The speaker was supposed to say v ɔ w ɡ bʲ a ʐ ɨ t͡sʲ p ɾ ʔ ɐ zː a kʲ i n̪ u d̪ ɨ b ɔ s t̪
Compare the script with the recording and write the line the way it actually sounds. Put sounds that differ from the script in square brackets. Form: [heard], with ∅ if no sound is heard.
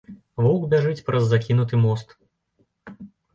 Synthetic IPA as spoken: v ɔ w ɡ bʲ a ʐ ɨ t͡sʲ p ɾ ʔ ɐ zː a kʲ i n̪ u [t̪] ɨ [m] ɔ s t̪